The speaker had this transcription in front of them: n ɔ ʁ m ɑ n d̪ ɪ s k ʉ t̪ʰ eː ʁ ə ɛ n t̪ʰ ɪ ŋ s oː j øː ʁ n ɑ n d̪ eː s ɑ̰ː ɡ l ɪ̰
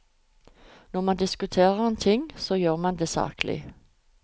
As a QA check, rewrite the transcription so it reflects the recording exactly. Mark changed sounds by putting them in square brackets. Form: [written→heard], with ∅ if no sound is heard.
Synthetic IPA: n ɔ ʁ m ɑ n d̪ ɪ s k ʉ t̪ʰ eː ʁ ə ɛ n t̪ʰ ɪ ŋ s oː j øː ʁ [n→m] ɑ n d̪ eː s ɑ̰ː [ɡ→k] l ɪ̰